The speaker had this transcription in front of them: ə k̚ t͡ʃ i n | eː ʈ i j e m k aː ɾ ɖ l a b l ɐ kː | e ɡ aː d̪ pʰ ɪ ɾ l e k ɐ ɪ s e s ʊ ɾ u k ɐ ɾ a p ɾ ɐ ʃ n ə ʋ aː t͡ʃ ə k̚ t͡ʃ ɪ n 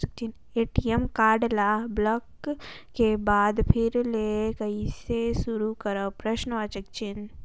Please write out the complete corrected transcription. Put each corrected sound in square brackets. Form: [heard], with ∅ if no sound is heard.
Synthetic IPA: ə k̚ t͡ʃ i n | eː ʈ i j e m k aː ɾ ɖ l a b l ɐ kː | e [b] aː d̪ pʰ ɪ ɾ l e k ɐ [i] s e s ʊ ɾ u k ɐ ɾ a p ɾ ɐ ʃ n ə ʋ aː t͡ʃ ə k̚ t͡ʃ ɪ n